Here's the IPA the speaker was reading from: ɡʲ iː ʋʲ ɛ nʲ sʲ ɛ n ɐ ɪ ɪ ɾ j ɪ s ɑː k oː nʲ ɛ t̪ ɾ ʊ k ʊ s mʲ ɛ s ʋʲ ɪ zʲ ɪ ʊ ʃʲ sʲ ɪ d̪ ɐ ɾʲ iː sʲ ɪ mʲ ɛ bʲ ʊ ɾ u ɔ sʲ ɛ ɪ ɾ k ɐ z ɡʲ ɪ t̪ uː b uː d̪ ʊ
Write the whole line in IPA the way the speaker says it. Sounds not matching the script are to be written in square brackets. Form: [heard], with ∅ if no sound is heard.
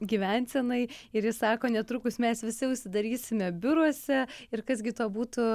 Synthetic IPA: ɡʲ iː ʋʲ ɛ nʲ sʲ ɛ n ɐ ɪ ɪ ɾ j ɪ s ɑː k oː nʲ ɛ t̪ ɾ ʊ k ʊ s mʲ ɛ s ʋʲ ɪ [sʲ] ɪ ʊ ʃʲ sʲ ɪ d̪ ɐ ɾʲ iː sʲ ɪ mʲ ɛ bʲ ʊ ɾ u ɔ sʲ ɛ ɪ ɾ k ɐ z ɡʲ ɪ t̪ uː b uː [t̪] ʊ